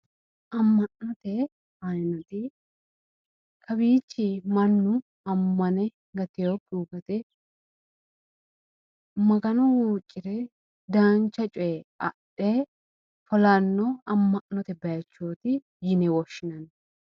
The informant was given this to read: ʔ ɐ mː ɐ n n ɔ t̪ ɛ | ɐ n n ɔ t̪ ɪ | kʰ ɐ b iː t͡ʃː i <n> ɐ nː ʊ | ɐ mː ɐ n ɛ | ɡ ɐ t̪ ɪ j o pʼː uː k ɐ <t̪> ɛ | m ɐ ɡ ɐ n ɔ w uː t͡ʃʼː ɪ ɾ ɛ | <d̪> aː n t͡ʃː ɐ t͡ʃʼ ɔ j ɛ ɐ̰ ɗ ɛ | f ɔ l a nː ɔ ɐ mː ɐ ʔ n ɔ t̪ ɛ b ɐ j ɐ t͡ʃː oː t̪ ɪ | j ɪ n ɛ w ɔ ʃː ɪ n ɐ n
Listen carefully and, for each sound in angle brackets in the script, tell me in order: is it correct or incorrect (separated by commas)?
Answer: incorrect, correct, correct